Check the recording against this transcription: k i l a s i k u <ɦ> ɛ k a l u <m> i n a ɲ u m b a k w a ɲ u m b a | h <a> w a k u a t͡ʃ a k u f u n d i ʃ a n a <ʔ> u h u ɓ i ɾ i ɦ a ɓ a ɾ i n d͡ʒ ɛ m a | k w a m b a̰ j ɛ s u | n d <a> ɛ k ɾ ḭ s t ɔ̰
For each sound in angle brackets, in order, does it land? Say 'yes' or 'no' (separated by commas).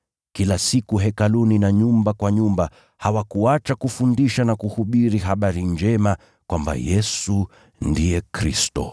yes, no, yes, no, no